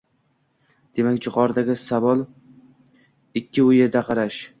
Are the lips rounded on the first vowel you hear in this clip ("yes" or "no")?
no